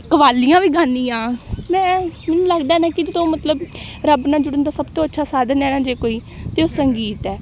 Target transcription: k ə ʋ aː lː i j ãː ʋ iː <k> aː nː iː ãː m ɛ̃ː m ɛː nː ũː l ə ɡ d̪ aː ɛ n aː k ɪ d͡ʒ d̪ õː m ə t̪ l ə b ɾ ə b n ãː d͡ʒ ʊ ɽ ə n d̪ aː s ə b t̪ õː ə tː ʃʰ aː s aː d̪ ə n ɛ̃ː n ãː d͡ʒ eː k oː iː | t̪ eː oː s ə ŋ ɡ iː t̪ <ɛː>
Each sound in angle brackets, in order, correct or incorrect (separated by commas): incorrect, correct